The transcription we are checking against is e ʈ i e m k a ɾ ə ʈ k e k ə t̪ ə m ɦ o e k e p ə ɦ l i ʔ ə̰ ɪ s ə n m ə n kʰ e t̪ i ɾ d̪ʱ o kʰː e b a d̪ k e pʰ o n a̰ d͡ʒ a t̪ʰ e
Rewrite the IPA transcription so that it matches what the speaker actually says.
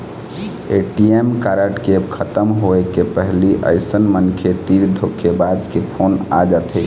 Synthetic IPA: e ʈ i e m k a ɾ ə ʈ k e kʰ ə t̪ ə m ɦ o e k e p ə ɦ l i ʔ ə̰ ɪ s ə n m ə n kʰ e t̪ i ɾ d̪ʱ o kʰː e b a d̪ k e pʰ o n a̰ d͡ʒ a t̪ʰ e